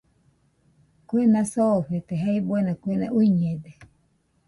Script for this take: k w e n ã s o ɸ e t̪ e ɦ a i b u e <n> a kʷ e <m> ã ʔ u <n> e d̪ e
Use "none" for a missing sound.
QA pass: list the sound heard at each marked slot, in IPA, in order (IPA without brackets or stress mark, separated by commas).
n, n, ɲ